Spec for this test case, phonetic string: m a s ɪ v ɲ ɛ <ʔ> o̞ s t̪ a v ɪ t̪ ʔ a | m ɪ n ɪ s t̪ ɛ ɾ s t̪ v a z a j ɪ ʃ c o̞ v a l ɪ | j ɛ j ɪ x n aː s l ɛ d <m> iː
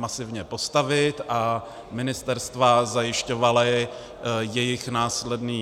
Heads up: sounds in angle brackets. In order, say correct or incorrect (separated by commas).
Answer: incorrect, incorrect